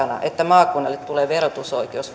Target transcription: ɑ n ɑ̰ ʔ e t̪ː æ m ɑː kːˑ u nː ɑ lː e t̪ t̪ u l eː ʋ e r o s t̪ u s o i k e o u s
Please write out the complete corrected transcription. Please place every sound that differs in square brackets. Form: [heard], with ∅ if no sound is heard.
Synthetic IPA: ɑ n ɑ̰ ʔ e t̪ː æ m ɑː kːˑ u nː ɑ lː e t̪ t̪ u l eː ʋ e r o [∅] t̪ u s o i k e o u s